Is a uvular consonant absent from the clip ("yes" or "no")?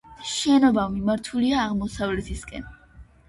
no